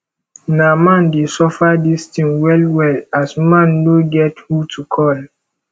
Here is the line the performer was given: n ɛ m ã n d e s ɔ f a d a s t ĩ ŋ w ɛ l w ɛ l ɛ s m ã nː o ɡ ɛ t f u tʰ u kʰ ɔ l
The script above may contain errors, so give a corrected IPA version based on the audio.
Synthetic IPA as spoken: n a m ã n d e s ɔ f a d i s t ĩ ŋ w ɛ l w ɛ l a s m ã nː o ɡ ɛ t h u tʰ u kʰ ɔ l